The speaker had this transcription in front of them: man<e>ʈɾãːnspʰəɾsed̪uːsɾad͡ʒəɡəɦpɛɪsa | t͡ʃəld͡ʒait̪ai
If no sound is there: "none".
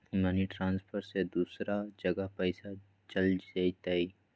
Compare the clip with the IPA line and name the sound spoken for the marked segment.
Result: i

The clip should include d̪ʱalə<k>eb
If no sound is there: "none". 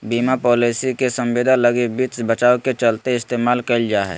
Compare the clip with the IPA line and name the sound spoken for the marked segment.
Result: ɡ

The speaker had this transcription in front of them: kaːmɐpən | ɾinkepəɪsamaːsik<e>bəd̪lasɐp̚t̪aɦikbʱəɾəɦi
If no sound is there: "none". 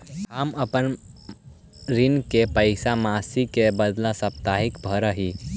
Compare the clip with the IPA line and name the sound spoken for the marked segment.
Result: e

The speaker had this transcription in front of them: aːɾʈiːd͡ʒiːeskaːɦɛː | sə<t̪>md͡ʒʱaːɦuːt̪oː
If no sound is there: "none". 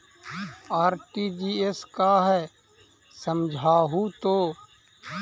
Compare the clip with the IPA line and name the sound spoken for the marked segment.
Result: none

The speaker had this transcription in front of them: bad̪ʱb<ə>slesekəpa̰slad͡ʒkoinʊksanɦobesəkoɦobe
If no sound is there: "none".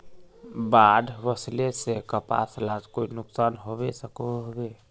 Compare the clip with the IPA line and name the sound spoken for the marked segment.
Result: ə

